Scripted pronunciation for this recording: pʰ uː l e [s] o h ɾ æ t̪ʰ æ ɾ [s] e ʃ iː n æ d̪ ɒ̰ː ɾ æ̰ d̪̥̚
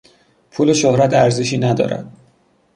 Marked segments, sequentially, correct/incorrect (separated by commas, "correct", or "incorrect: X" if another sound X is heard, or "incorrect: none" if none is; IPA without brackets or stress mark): incorrect: ʃ, incorrect: z